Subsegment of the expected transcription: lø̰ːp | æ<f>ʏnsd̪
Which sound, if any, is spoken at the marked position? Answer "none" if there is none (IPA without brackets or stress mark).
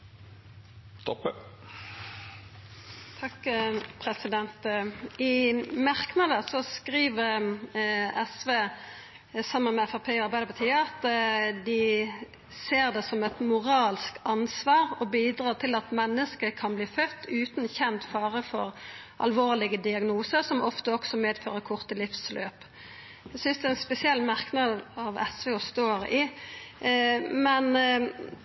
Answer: s